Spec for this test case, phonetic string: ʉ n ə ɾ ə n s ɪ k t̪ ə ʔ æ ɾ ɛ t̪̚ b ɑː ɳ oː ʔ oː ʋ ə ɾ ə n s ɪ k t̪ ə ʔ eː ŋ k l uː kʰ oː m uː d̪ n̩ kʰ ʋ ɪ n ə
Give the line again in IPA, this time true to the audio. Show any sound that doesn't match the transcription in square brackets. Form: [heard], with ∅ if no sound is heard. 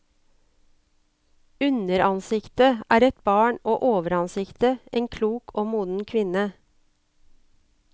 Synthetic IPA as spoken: ʉ n ə ɾ [ɑ] n s ɪ k t̪ ə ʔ [æː] ɾ ɛ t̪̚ b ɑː ɳ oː ʔ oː ʋ ə ɾ [ɑ] n s ɪ k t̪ ə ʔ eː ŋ [kʰ] l uː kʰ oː m uː d̪ n̩ kʰ ʋ ɪ n ə